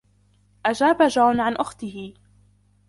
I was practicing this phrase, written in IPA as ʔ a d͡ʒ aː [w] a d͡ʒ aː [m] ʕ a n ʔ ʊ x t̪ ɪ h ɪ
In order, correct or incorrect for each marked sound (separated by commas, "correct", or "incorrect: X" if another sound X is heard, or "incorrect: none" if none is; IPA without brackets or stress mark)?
incorrect: b, incorrect: n